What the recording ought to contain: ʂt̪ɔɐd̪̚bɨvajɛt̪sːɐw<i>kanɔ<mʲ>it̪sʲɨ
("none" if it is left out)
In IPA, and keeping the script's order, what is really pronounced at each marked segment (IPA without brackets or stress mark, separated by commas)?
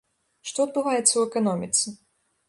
ɛ, mʲ